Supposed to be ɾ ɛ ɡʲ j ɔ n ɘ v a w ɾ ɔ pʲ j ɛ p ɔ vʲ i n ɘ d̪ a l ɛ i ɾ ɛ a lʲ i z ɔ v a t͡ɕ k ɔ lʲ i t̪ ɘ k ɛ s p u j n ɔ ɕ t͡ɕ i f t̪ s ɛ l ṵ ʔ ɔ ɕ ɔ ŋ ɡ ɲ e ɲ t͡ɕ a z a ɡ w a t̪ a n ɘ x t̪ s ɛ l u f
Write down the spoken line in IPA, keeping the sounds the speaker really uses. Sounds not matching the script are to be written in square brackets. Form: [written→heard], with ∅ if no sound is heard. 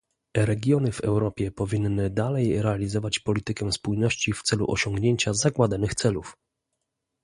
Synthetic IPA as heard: ɾ ɛ ɡʲ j ɔ n ɘ v [a→ɛ] w ɾ ɔ pʲ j ɛ p ɔ vʲ i [n→nː] ɘ d̪ a l ɛ [i→j] ɾ ɛ a lʲ i z ɔ v a t͡ɕ [k→p] ɔ lʲ i t̪ ɘ k ɛ s p u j n ɔ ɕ t͡ɕ i f t̪ s ɛ l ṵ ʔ ɔ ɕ ɔ ŋ ɡ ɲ e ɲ t͡ɕ a z a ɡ w a [t̪→d̪] a n ɘ x t̪ s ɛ l u f

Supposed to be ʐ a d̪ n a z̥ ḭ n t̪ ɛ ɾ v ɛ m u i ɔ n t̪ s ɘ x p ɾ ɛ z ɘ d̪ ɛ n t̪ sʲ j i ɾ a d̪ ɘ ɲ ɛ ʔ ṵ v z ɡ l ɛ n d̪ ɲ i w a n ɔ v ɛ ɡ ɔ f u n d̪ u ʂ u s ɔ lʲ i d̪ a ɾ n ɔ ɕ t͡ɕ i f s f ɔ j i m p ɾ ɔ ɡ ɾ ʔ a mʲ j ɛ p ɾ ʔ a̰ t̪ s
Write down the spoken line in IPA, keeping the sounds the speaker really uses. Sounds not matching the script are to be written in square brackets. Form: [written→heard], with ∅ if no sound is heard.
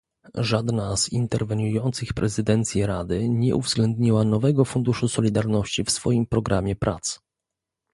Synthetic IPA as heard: ʐ a d̪ n a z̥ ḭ n t̪ ɛ ɾ v ɛ [m→ɲ] u [i→j] ɔ n t̪ s ɘ x p ɾ ɛ z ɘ d̪ ɛ n t̪ sʲ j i ɾ a d̪ ɘ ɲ ɛ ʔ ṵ v z ɡ l ɛ n d̪ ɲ i w a n ɔ v ɛ ɡ ɔ f u n d̪ u ʂ u s ɔ lʲ i d̪ a ɾ n ɔ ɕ t͡ɕ i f s f ɔ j i m p ɾ ɔ ɡ ɾ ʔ a mʲ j ɛ p ɾ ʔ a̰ t̪ s

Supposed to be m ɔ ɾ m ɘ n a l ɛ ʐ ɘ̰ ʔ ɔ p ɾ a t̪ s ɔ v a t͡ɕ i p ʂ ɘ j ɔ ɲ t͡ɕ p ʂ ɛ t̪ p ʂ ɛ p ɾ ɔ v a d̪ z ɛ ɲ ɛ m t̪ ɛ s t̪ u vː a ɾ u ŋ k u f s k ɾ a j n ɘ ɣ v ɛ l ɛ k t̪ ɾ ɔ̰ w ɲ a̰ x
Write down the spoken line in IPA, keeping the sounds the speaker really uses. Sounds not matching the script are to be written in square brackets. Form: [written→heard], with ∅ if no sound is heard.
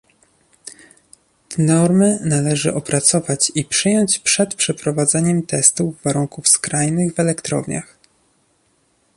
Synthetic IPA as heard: [m→n] ɔ ɾ m ɘ n a l ɛ ʐ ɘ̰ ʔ ɔ p ɾ a t̪ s ɔ v a t͡ɕ i p ʂ ɘ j ɔ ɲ t͡ɕ p ʂ ɛ t̪ p ʂ ɛ p ɾ ɔ v a d̪ z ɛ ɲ ɛ m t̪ ɛ s t̪ u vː a ɾ u ŋ k u f s k ɾ a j n ɘ ɣ v ɛ l ɛ k t̪ ɾ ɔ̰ [w→v] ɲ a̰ x

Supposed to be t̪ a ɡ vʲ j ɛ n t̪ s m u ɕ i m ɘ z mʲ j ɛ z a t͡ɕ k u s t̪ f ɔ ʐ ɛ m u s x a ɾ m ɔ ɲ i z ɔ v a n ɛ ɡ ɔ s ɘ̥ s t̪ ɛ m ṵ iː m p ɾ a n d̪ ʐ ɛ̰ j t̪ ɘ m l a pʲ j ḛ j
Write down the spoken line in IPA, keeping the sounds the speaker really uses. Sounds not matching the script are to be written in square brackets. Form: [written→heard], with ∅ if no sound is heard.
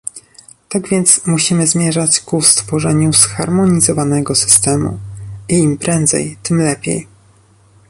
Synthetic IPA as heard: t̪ a ɡ vʲ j ɛ n t̪ s m u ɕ i m ɘ z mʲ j ɛ [z→ʐ] a t͡ɕ k u s t̪ f ɔ ʐ ɛ [m→ɲ] u s x a ɾ m ɔ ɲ i z ɔ v a n ɛ ɡ ɔ s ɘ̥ s t̪ ɛ m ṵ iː m p ɾ [a→ɛ] n d̪ [ʐ→z] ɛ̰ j t̪ ɘ m l [a→ɛ] pʲ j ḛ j

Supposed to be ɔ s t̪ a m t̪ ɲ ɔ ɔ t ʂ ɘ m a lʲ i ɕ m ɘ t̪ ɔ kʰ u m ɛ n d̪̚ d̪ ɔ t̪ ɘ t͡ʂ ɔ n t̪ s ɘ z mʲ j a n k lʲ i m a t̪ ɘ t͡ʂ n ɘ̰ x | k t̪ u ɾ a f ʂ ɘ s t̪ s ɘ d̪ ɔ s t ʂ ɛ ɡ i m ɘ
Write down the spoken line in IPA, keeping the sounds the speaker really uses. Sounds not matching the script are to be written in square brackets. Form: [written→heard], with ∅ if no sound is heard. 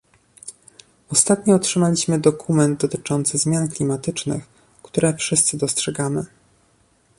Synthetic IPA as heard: ɔ s t̪ a [m→∅] t̪ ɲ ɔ ɔ t ʂ ɘ m a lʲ i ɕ m ɘ [t̪→d̪] ɔ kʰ u m ɛ n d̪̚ d̪ ɔ t̪ ɘ t͡ʂ ɔ n t̪ s ɘ z mʲ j a n k lʲ i m a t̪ ɘ t͡ʂ n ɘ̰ x | k t̪ u ɾ [a→ɛ] f ʂ ɘ s t̪ s ɘ d̪ ɔ s t ʂ ɛ ɡ [i→a] m ɘ

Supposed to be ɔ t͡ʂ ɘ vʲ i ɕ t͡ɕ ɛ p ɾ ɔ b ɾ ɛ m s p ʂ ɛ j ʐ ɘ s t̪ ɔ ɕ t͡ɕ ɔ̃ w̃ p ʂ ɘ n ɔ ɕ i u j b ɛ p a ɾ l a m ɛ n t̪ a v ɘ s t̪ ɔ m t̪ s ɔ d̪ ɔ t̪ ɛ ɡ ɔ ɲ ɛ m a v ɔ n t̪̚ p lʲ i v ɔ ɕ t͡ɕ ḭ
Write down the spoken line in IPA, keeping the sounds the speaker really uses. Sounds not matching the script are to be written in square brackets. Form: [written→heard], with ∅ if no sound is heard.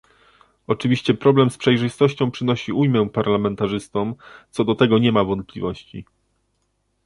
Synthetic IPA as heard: ɔ t͡ʂ ɘ vʲ i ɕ t͡ɕ ɛ p ɾ ɔ b [ɾ→l] ɛ m s p ʂ ɛ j ʐ ɘ s t̪ ɔ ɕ t͡ɕ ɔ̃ w̃ p ʂ ɘ n ɔ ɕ i u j [b→m] ɛ p a ɾ l a m ɛ n t̪ a [v→ʐ] ɘ s t̪ ɔ m t̪ s ɔ d̪ ɔ t̪ ɛ ɡ ɔ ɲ ɛ m a v ɔ n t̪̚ p lʲ i v ɔ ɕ t͡ɕ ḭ

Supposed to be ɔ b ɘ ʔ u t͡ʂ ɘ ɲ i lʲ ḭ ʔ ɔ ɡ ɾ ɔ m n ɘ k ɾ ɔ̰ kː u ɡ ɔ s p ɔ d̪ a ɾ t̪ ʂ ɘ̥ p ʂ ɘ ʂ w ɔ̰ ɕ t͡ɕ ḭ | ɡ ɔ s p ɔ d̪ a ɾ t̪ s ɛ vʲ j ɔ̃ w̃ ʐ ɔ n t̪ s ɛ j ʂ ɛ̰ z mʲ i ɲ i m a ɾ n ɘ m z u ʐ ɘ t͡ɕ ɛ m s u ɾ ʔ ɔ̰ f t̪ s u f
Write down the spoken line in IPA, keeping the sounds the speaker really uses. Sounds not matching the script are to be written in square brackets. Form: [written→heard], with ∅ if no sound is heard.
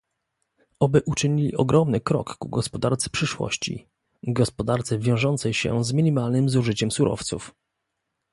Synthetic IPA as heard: ɔ b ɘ ʔ u t͡ʂ ɘ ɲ i lʲ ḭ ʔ ɔ ɡ ɾ ɔ m n ɘ k ɾ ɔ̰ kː u ɡ ɔ s p ɔ d̪ a ɾ t̪ [ʂ→s] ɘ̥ p ʂ ɘ ʂ w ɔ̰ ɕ t͡ɕ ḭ | ɡ ɔ s p ɔ d̪ a ɾ t̪ s ɛ vʲ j ɔ̃ w̃ ʐ ɔ n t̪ s ɛ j [ʂ→ɕ] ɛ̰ z mʲ i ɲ i m a [ɾ→l] n ɘ m z u ʐ ɘ t͡ɕ ɛ m s u ɾ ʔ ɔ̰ f t̪ s u f

